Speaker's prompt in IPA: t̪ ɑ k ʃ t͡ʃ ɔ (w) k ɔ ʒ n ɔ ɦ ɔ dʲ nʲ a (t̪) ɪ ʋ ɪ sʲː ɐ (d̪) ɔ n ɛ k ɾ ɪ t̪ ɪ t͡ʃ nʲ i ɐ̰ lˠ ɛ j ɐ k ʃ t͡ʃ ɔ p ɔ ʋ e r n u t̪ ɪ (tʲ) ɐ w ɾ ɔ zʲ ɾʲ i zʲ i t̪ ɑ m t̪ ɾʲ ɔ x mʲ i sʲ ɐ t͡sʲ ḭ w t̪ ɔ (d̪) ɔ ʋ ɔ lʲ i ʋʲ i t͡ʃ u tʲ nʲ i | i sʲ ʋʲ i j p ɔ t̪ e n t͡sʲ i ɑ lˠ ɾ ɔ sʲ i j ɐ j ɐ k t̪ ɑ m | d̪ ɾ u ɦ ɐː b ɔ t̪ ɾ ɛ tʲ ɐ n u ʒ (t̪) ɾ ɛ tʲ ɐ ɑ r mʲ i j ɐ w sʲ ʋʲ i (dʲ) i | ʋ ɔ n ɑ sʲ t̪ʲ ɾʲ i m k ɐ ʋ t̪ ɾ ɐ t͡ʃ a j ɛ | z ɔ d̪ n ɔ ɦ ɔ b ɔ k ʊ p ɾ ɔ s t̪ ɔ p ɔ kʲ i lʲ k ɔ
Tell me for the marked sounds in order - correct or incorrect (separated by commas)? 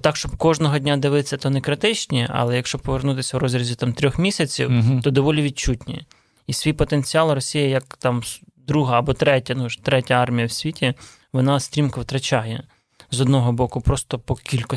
incorrect, incorrect, incorrect, incorrect, correct, correct, incorrect